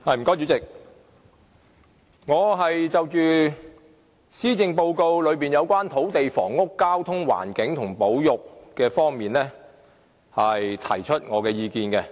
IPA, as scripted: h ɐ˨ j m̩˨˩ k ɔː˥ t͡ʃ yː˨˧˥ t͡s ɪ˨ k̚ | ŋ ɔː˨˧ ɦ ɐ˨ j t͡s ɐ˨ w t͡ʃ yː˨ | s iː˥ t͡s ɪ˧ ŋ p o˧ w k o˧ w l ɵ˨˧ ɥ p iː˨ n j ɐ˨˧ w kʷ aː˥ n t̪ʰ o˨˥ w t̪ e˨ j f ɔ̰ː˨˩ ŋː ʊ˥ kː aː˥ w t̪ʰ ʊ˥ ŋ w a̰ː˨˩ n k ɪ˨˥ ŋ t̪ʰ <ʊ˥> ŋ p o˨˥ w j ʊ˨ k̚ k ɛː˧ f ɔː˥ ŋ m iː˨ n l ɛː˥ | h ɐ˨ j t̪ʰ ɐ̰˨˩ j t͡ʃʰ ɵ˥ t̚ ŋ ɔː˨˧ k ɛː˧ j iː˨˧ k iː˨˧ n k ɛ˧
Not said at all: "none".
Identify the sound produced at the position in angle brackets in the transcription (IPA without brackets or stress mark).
ʊ˨˩